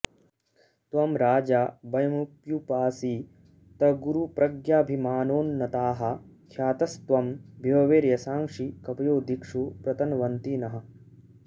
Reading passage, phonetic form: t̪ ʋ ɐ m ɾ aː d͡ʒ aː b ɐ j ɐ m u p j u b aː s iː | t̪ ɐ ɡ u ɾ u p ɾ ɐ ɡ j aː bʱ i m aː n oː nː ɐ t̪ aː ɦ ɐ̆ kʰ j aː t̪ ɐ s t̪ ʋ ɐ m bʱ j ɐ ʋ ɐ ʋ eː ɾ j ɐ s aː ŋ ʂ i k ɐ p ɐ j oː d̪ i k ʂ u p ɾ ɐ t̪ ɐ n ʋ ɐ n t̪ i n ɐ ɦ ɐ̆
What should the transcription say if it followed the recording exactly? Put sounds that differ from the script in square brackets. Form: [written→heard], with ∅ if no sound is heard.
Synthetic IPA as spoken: t̪ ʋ ɐ m ɾ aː d͡ʒ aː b ɐ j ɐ m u p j u [b→p] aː s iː | t̪ ɐ ɡ u ɾ u p ɾ ɐ ɡ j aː bʱ i m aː n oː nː ɐ t̪ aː ɦ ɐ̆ kʰ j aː t̪ ɐ s t̪ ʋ ɐ m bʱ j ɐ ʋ ɐ ʋ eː ɾ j ɐ s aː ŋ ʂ i k ɐ p ɐ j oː d̪ i k ʂ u p ɾ ɐ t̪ ɐ n ʋ ɐ n t̪ i n ɐ ɦ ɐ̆